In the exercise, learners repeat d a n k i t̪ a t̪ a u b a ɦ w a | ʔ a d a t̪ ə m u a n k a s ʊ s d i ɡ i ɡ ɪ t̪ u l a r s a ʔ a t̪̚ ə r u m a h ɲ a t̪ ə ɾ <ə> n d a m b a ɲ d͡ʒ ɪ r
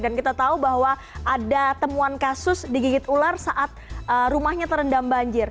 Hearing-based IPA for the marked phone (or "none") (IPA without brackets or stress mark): ə